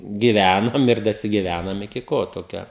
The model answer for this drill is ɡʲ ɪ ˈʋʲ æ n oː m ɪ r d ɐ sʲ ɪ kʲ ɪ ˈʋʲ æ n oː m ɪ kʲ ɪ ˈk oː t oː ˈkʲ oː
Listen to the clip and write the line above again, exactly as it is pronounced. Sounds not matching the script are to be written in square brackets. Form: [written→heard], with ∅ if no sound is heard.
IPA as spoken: ɡʲ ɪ ˈʋʲ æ n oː m ɪ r d ɐ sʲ ɪ [kʲ→ɡʲ] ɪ ˈʋʲ æ n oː m ɪ kʲ ɪ ˈk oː t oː ˈkʲ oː